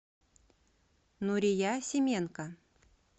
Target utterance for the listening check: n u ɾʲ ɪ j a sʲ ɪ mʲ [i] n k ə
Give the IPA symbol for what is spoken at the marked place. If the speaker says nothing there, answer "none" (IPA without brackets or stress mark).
e